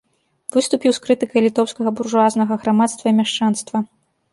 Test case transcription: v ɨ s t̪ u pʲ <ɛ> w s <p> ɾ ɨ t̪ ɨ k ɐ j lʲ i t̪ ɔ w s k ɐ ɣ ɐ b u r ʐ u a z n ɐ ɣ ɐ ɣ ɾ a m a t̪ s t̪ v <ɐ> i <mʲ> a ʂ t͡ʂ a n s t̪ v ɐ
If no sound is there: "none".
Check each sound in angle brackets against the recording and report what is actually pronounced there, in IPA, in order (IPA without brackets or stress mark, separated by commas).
i, k, ɐ, mʲ